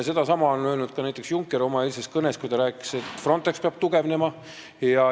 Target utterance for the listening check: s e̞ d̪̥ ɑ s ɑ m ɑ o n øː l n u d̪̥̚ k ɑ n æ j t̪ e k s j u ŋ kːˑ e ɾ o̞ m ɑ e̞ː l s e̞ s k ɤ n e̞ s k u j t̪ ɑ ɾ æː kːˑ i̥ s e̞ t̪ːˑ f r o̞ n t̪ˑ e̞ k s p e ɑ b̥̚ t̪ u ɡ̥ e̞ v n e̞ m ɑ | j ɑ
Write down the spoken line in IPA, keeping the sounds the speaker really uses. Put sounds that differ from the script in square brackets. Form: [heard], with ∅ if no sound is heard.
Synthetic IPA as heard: s e̞ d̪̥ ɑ s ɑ m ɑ o n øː l n u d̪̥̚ k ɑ n æ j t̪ e k s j u ŋ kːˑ e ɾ o̞ m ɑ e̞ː l s e̞ s k ɤ n e̞ s k u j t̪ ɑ ɾ æː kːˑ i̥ s e̞ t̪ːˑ f r o̞ n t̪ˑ e̞ k s p e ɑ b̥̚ t̪ u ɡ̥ e̞ v n e̞ m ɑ | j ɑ